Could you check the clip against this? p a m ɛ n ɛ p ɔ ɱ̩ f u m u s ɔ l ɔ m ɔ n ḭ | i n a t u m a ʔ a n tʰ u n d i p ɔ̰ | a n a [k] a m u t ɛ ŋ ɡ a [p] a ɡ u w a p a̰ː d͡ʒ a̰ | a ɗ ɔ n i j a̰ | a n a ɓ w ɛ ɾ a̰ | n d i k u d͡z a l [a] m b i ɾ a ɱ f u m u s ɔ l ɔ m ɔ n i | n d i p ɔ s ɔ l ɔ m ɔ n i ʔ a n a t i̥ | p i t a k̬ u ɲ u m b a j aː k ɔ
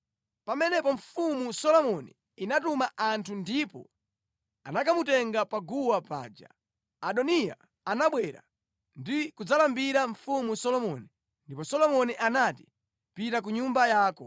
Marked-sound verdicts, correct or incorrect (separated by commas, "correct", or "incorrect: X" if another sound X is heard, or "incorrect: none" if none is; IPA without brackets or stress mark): correct, correct, correct